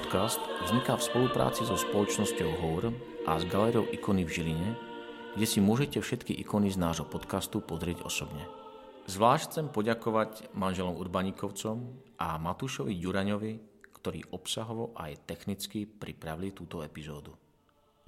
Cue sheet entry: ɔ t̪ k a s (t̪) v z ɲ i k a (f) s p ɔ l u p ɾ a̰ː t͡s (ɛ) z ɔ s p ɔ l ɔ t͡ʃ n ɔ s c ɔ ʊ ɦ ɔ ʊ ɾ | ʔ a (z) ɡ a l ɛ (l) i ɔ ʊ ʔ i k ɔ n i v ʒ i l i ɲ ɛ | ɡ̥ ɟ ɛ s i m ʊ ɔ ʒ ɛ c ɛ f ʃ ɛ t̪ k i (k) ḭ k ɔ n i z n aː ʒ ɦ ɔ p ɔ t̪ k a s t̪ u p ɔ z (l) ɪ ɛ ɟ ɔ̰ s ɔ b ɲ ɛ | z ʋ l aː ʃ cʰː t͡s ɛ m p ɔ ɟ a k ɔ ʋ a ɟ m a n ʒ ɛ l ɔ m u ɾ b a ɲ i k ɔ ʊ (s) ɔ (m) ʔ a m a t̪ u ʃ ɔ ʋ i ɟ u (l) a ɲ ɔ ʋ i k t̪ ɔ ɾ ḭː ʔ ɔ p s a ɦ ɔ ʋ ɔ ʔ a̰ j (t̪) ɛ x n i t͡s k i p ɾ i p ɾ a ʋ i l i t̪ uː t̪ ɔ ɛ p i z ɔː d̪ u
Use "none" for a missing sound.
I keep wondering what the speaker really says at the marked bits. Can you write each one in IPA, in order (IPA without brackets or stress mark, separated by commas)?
t̪, f, i, z, ɾ, ʔ, ɾ, t͡s, m, ɾ, t̪